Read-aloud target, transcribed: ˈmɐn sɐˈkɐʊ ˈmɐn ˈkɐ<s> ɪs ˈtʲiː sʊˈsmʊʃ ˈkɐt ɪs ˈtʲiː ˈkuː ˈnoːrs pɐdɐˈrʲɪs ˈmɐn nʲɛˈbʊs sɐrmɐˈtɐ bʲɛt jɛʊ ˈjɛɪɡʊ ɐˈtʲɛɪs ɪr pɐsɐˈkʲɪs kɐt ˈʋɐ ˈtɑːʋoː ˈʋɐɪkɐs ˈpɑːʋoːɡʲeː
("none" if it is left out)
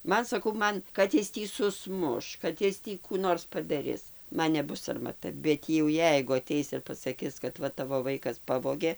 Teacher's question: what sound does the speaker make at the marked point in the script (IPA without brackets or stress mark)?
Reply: t